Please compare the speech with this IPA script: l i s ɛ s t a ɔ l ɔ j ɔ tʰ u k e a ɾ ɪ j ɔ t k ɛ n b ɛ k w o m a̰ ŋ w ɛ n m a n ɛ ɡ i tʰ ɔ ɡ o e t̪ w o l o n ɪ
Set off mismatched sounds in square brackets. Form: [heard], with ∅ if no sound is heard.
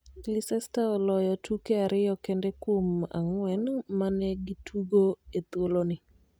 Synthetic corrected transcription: l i s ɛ s t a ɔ l ɔ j ɔ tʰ u k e a ɾ ɪ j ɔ [∅] k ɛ n [d] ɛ k w o m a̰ ŋ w ɛ n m a n ɛ ɡ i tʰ [u] ɡ o e t̪ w o l o n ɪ